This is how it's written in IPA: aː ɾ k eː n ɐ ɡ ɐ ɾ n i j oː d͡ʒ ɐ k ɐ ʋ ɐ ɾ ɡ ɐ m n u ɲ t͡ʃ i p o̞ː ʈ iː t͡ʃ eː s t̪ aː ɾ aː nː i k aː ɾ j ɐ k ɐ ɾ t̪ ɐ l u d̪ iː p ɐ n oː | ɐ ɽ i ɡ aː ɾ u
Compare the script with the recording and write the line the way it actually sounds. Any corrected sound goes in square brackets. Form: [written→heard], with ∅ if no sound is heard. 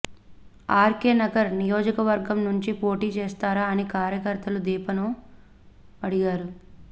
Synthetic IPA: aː ɾ k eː n ɐ ɡ ɐ ɾ n i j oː d͡ʒ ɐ k ɐ ʋ ɐ ɾ ɡ ɐ m n u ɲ t͡ʃ i p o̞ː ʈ iː t͡ʃ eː s t̪ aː ɾ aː [nː→n] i k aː ɾ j ɐ k ɐ ɾ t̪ ɐ l u d̪ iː p ɐ n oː | ɐ ɽ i ɡ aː ɾ u